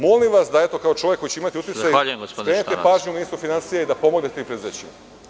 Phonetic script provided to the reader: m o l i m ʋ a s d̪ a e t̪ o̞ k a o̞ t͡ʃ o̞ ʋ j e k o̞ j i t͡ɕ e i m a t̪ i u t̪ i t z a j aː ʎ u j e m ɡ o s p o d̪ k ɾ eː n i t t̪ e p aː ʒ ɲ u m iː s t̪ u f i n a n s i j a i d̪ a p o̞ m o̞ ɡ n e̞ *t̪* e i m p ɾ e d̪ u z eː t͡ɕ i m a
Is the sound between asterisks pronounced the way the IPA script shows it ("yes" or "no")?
yes